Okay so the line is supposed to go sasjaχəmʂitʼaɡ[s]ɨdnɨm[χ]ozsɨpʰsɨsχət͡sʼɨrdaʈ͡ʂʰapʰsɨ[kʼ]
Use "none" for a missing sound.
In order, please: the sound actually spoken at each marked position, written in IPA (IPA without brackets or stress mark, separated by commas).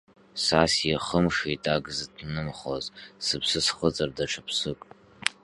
z, χ, kʼ